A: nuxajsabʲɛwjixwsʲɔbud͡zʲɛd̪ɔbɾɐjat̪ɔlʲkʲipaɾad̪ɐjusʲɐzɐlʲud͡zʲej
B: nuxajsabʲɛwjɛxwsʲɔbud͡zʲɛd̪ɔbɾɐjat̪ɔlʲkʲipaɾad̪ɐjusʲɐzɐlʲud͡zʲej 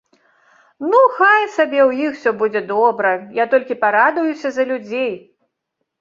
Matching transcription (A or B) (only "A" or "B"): A